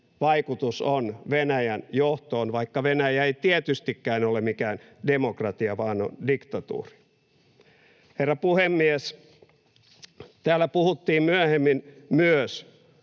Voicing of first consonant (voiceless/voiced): voiced